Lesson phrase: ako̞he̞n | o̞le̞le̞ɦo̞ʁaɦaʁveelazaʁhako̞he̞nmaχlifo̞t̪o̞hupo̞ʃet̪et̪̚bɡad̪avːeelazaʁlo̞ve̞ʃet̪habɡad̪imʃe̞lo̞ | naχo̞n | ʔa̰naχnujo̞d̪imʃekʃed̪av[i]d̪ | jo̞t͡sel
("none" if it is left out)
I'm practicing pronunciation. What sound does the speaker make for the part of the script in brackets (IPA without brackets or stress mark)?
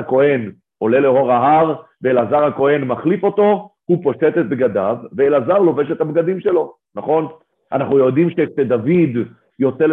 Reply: i